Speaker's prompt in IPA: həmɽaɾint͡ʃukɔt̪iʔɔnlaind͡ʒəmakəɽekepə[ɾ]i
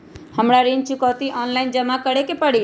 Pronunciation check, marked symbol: incorrect: ɽ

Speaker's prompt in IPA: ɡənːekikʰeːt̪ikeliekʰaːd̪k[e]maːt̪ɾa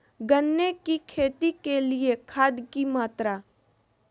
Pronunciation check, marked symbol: incorrect: i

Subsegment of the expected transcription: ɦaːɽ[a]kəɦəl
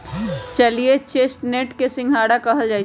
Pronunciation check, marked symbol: correct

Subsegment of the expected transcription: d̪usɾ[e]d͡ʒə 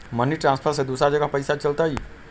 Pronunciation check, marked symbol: incorrect: a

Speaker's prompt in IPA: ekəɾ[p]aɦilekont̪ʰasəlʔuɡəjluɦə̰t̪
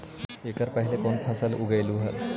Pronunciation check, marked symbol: correct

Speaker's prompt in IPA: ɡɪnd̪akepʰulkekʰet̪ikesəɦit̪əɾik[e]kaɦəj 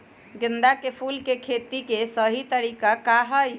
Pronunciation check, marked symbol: incorrect: a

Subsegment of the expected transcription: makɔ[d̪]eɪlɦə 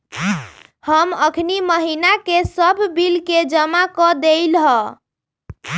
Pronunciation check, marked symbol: correct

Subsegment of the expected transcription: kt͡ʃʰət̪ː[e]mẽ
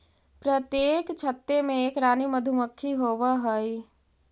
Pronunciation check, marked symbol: correct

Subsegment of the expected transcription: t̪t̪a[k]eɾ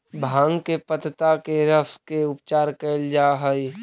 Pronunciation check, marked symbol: correct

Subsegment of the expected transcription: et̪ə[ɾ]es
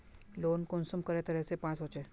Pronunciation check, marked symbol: correct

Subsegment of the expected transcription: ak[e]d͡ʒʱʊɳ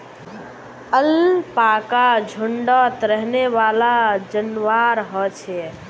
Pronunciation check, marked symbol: incorrect: a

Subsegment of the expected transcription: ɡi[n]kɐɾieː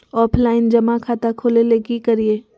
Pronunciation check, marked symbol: incorrect: none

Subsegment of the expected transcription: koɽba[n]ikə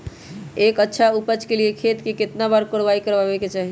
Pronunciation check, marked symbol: incorrect: none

